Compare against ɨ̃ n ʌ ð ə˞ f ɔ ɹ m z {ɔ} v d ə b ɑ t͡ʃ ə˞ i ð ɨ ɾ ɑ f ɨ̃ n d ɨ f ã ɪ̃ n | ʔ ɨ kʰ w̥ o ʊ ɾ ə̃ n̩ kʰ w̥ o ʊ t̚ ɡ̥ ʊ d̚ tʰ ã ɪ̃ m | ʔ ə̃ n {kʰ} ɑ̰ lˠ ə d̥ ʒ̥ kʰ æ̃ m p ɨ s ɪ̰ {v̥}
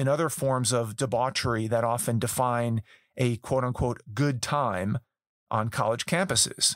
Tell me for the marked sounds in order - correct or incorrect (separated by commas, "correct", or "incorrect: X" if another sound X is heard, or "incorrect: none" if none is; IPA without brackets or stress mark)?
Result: incorrect: ʌ, correct, incorrect: z̥